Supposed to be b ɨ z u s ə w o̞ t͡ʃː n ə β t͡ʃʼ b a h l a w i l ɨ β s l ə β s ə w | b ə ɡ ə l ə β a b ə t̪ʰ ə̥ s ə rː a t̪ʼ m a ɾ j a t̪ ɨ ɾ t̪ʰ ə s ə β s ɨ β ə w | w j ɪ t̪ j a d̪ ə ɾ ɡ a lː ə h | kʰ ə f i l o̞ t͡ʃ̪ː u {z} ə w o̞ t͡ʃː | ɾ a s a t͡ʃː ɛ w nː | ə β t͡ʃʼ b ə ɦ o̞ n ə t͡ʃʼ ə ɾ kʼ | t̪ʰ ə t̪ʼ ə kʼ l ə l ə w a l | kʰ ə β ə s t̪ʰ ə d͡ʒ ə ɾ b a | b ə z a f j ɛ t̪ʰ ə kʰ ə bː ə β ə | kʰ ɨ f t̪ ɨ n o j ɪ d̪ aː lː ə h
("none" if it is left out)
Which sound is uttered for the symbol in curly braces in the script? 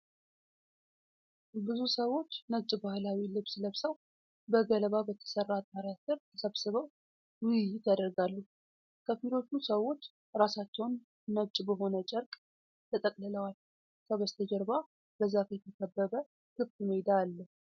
s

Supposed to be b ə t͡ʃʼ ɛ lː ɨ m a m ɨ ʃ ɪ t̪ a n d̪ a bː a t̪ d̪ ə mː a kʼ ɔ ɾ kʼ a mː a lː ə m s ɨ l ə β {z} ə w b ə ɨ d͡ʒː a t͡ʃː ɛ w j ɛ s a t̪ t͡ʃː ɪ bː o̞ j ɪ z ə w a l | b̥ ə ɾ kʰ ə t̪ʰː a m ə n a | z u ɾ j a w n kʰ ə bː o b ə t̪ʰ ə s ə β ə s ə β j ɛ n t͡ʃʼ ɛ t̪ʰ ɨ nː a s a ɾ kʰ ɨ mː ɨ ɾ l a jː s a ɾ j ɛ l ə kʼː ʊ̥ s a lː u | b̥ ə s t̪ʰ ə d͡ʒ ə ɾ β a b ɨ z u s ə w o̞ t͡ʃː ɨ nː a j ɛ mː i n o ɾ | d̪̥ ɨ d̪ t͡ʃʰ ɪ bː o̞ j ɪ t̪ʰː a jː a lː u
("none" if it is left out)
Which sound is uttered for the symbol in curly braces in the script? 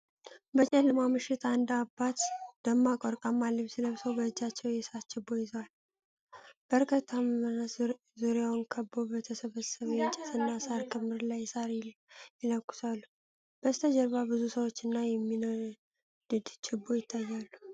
s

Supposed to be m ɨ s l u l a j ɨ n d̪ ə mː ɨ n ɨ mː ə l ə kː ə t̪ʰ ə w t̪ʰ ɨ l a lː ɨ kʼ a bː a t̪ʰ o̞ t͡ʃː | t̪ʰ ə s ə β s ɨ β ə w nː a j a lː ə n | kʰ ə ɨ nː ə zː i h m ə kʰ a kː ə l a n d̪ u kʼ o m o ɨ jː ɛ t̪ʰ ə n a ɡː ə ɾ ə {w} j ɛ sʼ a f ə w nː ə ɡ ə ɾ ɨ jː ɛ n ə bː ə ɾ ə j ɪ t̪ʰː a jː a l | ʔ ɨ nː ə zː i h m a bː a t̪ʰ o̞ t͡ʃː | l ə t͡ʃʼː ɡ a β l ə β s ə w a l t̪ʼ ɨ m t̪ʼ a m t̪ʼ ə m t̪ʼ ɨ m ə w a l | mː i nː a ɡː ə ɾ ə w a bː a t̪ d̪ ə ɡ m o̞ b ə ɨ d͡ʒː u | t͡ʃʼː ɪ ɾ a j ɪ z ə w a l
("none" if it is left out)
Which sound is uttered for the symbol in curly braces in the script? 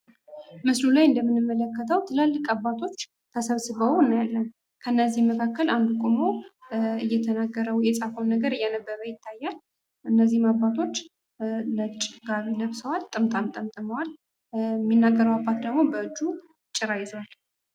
w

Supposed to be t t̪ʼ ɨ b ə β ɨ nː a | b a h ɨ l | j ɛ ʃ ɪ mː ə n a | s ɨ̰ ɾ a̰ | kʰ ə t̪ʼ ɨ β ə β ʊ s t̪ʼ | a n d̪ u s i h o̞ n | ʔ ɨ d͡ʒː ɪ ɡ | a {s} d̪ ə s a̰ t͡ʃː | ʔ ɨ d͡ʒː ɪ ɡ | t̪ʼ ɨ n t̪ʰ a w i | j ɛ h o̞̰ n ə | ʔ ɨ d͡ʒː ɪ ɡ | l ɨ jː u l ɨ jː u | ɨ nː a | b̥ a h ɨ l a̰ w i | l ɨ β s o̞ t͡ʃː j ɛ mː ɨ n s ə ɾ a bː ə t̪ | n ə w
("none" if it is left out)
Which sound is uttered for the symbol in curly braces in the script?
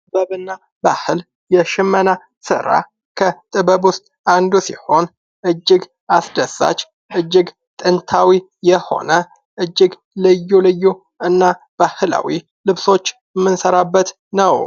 s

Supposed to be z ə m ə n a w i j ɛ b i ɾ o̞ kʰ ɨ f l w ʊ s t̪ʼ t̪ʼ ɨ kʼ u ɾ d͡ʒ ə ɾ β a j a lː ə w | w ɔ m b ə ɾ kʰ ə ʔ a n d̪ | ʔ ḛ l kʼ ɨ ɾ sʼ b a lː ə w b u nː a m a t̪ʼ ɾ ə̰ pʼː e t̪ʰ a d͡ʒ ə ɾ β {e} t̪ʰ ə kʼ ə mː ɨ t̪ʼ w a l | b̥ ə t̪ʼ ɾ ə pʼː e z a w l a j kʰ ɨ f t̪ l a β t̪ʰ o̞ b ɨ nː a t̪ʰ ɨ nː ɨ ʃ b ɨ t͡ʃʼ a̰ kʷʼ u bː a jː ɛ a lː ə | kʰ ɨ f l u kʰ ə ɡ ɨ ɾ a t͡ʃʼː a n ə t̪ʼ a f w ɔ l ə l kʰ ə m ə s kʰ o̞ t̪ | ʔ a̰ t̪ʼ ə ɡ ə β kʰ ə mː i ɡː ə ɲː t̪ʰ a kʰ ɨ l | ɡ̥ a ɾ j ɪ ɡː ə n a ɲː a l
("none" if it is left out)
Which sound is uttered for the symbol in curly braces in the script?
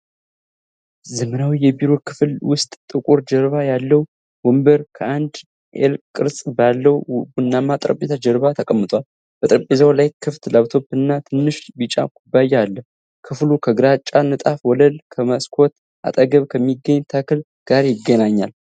a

